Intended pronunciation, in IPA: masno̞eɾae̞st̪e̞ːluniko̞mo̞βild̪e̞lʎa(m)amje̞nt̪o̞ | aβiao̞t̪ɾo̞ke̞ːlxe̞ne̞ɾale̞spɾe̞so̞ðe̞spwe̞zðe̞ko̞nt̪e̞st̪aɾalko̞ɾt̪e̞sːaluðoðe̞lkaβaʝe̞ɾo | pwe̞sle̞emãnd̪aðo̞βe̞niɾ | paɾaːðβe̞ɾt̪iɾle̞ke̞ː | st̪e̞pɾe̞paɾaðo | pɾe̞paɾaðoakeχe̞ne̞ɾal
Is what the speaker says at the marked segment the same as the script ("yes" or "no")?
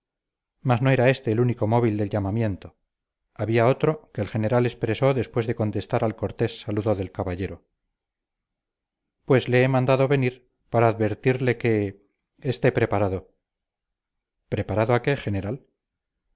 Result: yes